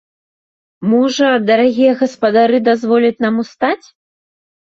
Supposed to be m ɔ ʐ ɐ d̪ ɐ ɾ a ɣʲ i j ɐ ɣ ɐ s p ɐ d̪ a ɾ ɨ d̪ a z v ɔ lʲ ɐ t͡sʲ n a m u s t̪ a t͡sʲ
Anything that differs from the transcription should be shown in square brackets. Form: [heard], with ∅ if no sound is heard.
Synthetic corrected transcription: m ɔ ʐ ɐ d̪ ɐ ɾ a ɣʲ i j ɐ ɣ ɐ s p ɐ d̪ a ɾ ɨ d̪ a z v ɔ lʲ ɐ t͡sʲ n a m u s t̪ a t͡sʲ